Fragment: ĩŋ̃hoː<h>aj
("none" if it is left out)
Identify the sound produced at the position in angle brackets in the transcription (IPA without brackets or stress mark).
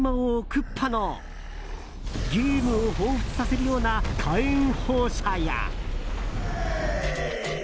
ɕ